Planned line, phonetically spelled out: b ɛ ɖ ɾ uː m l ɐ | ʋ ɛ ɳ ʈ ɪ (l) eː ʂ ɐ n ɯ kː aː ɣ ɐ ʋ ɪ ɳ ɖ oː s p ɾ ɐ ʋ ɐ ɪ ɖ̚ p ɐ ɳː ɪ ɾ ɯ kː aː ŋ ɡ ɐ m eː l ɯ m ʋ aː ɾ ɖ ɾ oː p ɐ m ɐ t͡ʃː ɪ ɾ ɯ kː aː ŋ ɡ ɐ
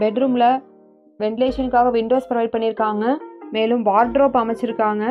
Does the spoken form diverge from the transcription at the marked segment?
no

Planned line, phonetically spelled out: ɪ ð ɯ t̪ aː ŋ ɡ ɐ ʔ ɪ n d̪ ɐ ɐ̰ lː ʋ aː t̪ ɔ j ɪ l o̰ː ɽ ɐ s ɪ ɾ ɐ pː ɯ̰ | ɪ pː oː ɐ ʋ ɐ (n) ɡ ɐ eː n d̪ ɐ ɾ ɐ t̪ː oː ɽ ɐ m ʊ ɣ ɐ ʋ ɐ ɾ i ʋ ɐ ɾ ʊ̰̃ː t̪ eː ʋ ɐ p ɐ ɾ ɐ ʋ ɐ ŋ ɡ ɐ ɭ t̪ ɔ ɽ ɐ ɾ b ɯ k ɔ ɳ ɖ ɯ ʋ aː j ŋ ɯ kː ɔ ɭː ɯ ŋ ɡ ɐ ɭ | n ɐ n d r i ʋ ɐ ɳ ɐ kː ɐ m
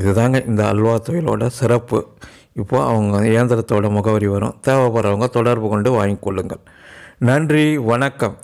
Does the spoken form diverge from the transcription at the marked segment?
yes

